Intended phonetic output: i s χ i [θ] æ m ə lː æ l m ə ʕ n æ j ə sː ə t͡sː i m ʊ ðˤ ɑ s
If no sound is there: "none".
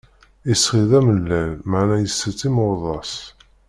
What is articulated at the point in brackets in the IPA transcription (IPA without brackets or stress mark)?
ð